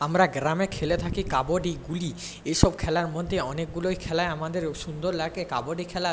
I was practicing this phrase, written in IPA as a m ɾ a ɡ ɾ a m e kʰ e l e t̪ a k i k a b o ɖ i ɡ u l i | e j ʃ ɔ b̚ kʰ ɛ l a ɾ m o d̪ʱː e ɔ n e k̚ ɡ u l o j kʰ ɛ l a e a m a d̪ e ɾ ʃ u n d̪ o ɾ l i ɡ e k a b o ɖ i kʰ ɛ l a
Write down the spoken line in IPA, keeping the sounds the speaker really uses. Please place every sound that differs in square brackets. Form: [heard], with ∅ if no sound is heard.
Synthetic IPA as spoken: a m ɾ a ɡ ɾ a m e kʰ e l e [t̪ʰ] a k i k a b o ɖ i ɡ u l i | e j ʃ ɔ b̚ kʰ ɛ l a ɾ m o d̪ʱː e ɔ n e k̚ ɡ u l o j kʰ ɛ l a e a m a d̪ e ɾ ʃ u n d̪ o ɾ l [a] ɡ e k a b o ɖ i kʰ ɛ l a